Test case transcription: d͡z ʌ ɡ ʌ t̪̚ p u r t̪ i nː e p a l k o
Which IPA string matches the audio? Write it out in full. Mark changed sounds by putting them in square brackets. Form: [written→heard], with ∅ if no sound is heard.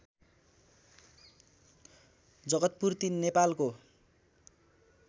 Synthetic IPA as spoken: d͡z ʌ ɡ ʌ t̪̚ p u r t̪ i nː e p a l k o

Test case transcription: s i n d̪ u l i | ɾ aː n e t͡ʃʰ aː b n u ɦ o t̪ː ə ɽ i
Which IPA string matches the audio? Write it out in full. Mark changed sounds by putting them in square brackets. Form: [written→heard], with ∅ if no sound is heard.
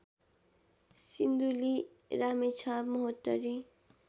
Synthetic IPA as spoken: s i n d̪ u l i | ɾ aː [n→m] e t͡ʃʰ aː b [n→m] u ɦ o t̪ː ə [ɽ→ɾ] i

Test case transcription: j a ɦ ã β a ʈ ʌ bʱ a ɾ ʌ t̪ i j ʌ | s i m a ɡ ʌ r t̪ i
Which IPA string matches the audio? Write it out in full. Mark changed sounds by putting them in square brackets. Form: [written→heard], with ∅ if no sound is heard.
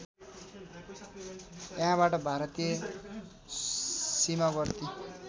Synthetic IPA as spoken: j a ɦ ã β a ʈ ʌ bʱ a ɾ ʌ t̪ i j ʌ | s i m a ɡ ʌ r t̪ i

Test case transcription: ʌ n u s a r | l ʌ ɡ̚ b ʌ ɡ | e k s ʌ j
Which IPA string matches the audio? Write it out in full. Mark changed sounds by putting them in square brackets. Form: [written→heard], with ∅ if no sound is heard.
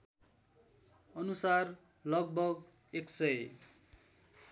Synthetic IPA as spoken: ʌ n u s a r | l ʌ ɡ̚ b ʌ ɡ | e k s ʌ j

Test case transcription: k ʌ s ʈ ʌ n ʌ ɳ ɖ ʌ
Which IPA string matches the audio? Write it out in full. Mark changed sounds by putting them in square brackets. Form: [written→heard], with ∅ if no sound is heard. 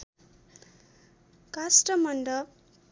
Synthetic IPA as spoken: k [ʌ→a] s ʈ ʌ [n→m] ʌ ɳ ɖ ʌ

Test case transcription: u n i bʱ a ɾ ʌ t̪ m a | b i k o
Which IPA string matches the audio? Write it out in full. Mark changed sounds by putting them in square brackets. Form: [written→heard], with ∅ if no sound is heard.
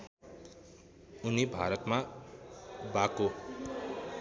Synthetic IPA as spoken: u n i bʱ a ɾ ʌ t̪ m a | b [i→a] k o

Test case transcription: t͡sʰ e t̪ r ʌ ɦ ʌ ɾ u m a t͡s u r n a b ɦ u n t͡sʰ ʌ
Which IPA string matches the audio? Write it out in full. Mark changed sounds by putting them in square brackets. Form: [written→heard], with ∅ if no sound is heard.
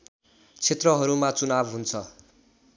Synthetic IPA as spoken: t͡sʰ e t̪ r ʌ ɦ ʌ ɾ u m a t͡s u [r→∅] n a b ɦ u n t͡sʰ ʌ

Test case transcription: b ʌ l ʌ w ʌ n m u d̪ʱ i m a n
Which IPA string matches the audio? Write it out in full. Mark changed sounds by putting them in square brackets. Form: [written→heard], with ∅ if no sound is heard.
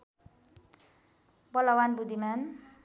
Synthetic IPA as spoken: b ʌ l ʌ w [ʌ→a] n [m→b] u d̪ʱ i m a n

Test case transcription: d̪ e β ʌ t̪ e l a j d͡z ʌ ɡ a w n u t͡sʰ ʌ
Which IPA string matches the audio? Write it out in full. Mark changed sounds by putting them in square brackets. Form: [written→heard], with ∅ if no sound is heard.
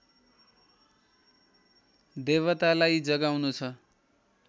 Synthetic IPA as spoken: d̪ e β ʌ t̪ [e→a] l a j d͡z ʌ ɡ a w n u t͡sʰ ʌ

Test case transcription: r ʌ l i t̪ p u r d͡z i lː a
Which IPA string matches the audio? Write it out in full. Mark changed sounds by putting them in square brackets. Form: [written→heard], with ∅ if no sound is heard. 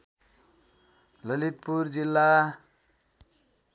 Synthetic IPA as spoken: [r→l] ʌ l i t̪ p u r d͡z i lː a

